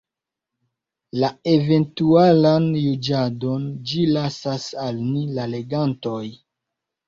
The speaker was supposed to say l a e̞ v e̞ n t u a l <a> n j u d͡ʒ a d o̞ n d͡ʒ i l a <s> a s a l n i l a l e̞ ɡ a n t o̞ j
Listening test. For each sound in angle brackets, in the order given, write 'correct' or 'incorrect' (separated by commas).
correct, correct